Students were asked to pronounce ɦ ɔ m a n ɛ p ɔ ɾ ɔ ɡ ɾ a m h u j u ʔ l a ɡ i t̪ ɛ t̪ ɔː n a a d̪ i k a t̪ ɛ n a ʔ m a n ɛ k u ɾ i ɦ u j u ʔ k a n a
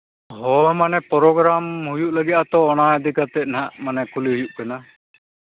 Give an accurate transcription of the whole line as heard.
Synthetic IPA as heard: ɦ ɔ m a n ɛ p ɔ ɾ ɔ ɡ ɾ a m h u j u ʔ l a ɡ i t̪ a t̪ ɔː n a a d̪ i k a t̪ ɛ n a ʔ m a n ɛ k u l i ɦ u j u ʔ k a n a